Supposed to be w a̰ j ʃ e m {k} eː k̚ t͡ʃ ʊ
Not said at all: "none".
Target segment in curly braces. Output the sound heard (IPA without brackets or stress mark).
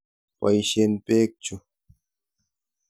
p